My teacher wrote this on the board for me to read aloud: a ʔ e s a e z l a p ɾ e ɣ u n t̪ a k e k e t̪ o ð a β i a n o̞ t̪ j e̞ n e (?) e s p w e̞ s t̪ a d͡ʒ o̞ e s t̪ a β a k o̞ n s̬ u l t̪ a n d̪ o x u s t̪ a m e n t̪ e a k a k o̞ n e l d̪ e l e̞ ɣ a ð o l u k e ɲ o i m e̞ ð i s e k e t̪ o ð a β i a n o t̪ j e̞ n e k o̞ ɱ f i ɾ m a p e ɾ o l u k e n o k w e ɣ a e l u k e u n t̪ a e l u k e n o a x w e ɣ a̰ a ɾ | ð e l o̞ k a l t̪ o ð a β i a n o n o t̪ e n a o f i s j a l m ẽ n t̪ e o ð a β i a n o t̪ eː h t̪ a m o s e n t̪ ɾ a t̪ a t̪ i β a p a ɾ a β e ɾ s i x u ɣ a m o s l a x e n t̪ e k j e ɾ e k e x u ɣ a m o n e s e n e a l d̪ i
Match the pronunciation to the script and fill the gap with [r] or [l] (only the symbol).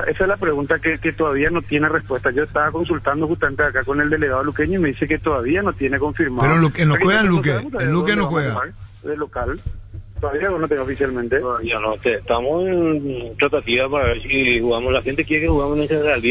r